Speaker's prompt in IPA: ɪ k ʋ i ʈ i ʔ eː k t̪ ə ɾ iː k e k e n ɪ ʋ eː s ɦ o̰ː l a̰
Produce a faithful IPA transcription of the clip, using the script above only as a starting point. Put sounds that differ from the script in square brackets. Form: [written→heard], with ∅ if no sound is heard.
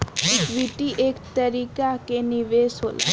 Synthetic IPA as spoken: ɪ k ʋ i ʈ i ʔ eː k t̪ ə ɾ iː k [e→a] k e n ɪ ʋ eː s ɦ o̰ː l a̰